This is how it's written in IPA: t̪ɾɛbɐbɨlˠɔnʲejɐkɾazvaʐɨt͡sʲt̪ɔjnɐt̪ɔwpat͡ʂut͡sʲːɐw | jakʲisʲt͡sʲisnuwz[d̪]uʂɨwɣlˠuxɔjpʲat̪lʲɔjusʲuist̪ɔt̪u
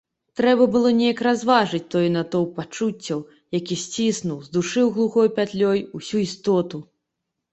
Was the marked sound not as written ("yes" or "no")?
no